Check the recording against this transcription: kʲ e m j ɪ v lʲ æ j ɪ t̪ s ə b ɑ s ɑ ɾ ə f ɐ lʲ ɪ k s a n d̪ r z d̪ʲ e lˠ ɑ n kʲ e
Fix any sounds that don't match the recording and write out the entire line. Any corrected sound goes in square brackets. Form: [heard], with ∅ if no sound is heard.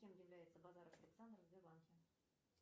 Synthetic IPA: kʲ e m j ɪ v lʲ æ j ɪ t̪ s ə b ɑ [z] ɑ ɾ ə f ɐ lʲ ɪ k s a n d̪ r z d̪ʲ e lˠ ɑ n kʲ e